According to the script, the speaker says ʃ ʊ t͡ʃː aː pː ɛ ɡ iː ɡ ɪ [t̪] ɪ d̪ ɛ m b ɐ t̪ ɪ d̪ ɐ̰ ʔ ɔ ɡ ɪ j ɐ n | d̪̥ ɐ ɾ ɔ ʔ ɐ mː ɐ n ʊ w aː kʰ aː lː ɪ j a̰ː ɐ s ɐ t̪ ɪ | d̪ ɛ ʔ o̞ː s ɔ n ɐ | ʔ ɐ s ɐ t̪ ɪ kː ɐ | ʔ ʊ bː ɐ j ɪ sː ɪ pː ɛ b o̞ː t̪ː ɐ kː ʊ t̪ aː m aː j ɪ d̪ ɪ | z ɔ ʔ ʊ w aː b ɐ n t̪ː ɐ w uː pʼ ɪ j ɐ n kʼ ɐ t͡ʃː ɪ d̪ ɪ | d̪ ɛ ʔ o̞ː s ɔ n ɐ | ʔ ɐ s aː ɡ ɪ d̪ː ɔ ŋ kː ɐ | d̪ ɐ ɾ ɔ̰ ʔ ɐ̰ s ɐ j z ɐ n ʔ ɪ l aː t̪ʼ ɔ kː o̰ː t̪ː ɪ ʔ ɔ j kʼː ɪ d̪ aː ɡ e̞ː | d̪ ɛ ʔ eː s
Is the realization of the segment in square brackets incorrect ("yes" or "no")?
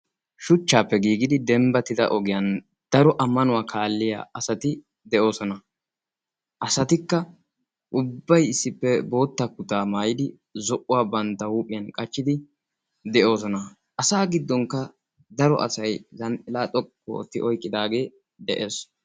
yes